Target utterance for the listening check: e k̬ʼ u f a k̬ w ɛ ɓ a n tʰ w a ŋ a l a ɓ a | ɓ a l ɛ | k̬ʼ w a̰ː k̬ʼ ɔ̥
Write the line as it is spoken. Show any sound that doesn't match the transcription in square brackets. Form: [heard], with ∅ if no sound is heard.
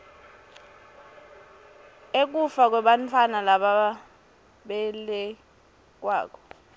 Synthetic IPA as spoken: e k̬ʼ u f a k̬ w ɛ ɓ a n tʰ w a [n] a l a ɓ a | ɓ [ɛ] l ɛ | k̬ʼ w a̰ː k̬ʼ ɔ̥